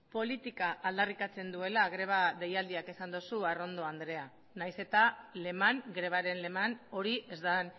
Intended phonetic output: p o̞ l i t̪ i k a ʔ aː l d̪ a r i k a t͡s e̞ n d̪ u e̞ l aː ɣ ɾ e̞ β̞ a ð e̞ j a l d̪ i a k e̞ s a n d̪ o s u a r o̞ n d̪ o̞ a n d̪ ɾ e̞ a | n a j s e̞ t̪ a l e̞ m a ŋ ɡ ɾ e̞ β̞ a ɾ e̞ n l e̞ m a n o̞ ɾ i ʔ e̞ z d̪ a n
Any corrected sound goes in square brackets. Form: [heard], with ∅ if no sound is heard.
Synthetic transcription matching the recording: p o̞ l i t̪ i k a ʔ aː l d̪ a r i k a t͡s e̞ n d̪ u e̞ l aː ɣ ɾ e̞ β̞ a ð e̞ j a l d̪ i a k e̞ s a n d̪ o s u a r o̞ n d̪ o̞ a n d̪ ɾ e̞ a | n a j s e̞ t̪ a l e̞ m a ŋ ɡ ɾ e̞ β̞ a ɾ e̞ n l e̞ m a n o̞ ɾ i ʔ e̞ z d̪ a n

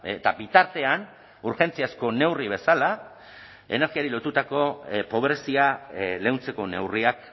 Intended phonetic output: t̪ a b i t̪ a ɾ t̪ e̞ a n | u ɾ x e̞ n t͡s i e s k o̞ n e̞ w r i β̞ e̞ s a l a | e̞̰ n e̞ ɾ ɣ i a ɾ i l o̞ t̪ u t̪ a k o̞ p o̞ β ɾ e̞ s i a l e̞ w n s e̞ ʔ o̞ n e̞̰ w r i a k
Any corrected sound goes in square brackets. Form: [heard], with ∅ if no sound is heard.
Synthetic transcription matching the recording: t̪ a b i t̪ a ɾ t̪ e̞ a n | u ɾ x e̞ n t͡s i [a] s k o̞ n e̞ w r i β̞ e̞ s a l a | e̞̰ n e̞ ɾ ɣ i a ɾ i l o̞ t̪ u t̪ a k o̞ p o̞ β ɾ e̞ s i a l e̞ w n [t͡s] e̞ [k] o̞ n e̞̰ w r i a k

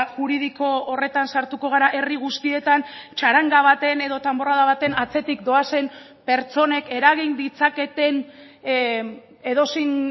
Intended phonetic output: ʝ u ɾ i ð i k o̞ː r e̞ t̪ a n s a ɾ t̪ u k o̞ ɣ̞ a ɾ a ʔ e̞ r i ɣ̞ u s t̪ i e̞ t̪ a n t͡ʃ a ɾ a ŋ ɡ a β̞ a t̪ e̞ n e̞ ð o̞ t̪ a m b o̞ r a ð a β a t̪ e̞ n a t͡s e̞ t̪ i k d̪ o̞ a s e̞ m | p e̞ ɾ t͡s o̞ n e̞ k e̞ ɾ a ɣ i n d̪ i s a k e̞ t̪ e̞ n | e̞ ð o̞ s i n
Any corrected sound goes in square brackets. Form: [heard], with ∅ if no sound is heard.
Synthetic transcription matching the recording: ʝ u ɾ i ð i k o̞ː r e̞ t̪ a n s a ɾ t̪ u k o̞ ɣ̞ a ɾ a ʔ e̞ r i ɣ̞ u s t̪ i e̞ t̪ a n t͡ʃ a ɾ a ŋ ɡ a β̞ a t̪ e̞ n e̞ ð o̞ t̪ a m b o̞ r a ð a β a t̪ e̞ n a t͡s e̞ t̪ i k d̪ o̞ a s e̞ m | p e̞ ɾ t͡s o̞ n e̞ k e̞ ɾ a ɣ i n d̪ i [t͡s] a k e̞ t̪ e̞ n | e̞ ð o̞ s i n

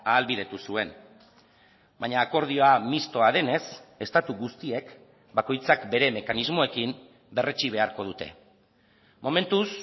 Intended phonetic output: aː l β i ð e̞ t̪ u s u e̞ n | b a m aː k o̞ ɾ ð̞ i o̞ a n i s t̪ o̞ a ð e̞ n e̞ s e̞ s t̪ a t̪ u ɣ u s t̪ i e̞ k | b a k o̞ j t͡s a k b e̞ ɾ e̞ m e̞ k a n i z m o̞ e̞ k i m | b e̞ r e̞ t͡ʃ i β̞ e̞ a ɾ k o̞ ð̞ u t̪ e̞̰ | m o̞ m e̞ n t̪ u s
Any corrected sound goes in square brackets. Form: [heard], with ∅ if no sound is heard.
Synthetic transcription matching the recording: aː l β i ð e̞ t̪ u s u e̞ n | b a [ɲ] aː k o̞ ɾ ð̞ i o̞ a [m] i s t̪ o̞ a ð e̞ n e̞ s e̞ s t̪ a t̪ u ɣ u s t̪ i e̞ k | b a k o̞ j t͡s a k b e̞ ɾ e̞ m e̞ k a n i z m o̞ e̞ k i m | b e̞ r e̞ t͡ʃ i β̞ e̞ a ɾ k o̞ ð̞ u t̪ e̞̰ | m o̞ m e̞ n t̪ u s

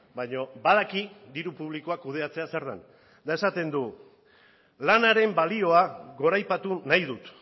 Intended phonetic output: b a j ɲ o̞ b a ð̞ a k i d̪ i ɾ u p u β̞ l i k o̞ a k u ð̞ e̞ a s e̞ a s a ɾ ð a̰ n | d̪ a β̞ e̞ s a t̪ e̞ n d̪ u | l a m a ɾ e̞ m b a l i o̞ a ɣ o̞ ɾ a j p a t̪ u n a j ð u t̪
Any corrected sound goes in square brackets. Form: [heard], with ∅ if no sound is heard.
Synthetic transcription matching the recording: b a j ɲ o̞ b a ð̞ a k i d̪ i ɾ u p u β̞ l i k o̞ a k u ð̞ e̞ a [t͡s] e̞ a s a ɾ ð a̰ n | d̪ a [∅] e̞ s a t̪ e̞ n d̪ u | l a [n] a ɾ e̞ m b a l i o̞ a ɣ o̞ ɾ a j p a t̪ u n a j ð u t̪

